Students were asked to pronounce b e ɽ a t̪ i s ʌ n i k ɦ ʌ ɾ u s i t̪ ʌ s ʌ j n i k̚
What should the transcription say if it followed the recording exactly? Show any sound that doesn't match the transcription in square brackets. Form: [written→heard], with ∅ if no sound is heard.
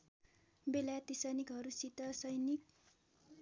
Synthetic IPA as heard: b e [ɽ→l] a t̪ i s ʌ n i k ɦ ʌ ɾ u s i t̪ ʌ s ʌ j n i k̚